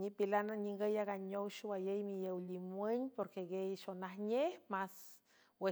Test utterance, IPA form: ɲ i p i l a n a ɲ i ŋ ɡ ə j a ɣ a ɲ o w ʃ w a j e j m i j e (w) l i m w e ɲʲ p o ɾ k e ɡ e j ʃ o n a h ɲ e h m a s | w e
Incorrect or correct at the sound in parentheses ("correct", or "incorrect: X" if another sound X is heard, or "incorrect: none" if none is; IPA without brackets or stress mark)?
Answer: correct